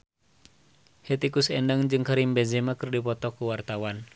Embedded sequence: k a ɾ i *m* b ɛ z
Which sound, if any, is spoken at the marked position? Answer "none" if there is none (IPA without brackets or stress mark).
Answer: m